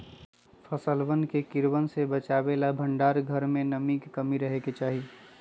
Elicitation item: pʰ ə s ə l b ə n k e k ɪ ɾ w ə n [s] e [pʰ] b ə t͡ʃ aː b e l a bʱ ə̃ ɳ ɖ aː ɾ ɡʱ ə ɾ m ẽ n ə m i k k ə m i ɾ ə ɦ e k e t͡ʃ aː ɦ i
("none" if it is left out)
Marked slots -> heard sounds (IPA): s, none

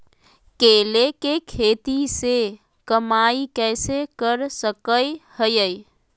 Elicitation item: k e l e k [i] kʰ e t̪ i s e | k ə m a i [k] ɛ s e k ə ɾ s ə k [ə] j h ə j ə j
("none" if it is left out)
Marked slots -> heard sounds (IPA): e, k, ə

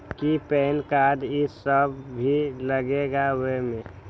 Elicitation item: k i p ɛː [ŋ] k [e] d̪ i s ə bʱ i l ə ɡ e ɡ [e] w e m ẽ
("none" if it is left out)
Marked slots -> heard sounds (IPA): n, a, a

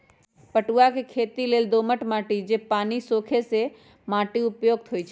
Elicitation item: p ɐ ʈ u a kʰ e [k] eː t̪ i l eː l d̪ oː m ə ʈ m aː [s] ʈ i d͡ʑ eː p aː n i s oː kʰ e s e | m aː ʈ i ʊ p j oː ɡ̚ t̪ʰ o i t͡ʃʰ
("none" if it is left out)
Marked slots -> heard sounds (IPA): kʰ, none

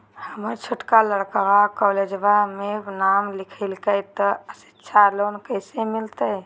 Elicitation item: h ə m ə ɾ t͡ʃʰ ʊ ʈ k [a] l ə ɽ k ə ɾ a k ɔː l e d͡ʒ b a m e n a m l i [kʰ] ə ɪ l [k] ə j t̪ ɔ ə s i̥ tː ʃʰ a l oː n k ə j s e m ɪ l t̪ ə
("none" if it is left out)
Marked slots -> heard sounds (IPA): a, kʰ, k

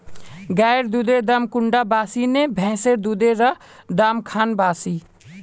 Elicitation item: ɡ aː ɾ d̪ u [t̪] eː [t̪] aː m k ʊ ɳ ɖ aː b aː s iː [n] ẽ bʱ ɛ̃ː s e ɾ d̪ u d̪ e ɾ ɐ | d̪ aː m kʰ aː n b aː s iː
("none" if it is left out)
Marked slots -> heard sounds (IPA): d̪, d̪, n

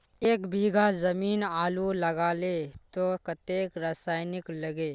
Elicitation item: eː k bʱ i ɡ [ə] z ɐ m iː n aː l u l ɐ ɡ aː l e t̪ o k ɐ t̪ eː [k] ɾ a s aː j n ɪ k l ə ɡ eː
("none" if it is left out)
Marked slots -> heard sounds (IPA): a, k

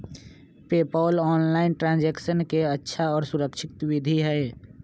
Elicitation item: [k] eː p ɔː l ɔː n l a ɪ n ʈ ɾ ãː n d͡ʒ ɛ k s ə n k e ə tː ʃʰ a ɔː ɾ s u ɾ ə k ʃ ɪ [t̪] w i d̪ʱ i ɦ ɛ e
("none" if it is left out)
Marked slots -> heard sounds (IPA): p, t̪

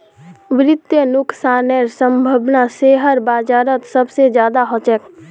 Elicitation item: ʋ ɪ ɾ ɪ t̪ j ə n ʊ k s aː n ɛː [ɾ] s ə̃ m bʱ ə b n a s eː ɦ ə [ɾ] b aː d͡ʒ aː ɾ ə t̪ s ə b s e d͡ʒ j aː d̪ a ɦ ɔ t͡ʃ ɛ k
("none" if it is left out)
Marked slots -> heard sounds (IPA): ɾ, ɾ

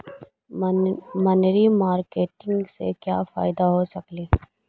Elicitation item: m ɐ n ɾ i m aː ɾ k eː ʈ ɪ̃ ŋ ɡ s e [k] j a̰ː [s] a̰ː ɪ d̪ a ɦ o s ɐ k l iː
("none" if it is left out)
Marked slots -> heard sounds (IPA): k, f

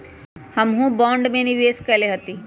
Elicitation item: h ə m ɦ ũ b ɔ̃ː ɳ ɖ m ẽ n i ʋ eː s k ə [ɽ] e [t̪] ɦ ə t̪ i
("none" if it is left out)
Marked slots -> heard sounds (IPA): l, none

